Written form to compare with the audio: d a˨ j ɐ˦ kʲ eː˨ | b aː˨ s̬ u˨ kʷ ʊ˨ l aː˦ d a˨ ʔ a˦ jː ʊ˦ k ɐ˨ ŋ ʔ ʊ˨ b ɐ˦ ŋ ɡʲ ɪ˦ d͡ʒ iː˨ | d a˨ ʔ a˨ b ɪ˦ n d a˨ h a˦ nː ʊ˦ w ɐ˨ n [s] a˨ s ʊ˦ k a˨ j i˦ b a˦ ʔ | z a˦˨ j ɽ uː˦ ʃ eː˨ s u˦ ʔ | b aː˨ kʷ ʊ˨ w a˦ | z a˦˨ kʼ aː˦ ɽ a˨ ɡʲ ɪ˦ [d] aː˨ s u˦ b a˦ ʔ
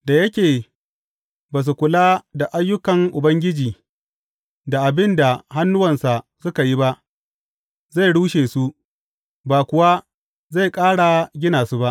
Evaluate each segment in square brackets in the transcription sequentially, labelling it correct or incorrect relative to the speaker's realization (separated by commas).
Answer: correct, incorrect